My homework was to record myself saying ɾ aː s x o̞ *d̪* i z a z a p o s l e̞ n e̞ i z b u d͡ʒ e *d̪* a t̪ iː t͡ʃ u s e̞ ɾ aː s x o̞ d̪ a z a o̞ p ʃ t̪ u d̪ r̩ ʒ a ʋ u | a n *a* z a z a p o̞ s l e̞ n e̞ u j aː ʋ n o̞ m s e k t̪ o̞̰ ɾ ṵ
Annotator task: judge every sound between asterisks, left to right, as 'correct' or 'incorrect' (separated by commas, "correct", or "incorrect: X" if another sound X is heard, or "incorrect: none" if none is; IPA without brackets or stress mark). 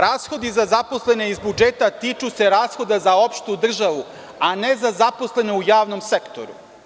correct, incorrect: t̪, incorrect: e